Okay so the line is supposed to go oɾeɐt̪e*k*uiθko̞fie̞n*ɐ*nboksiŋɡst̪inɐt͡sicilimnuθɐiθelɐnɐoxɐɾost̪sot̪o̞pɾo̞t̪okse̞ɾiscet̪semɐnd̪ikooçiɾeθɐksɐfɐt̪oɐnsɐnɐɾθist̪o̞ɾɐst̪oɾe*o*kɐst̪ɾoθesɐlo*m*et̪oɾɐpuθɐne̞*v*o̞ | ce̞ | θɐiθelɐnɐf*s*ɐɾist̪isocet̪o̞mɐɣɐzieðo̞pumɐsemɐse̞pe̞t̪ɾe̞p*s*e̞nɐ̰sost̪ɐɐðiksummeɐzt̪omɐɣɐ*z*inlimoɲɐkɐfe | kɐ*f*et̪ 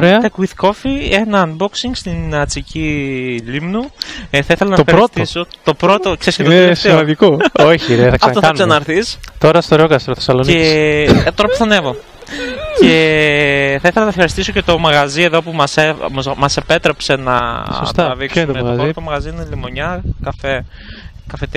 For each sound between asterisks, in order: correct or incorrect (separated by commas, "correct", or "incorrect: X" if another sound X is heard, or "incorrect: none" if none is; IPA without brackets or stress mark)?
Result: correct, correct, correct, incorrect: n, correct, incorrect: x, correct, correct, correct